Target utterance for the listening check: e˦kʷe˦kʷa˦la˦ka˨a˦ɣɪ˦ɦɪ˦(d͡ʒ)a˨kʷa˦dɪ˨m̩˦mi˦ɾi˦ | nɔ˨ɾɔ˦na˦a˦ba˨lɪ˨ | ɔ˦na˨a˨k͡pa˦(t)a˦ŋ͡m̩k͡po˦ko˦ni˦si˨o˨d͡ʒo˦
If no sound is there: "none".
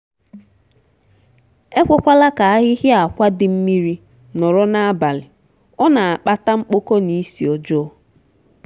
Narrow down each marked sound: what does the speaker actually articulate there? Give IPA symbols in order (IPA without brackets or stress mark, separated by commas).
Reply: none, t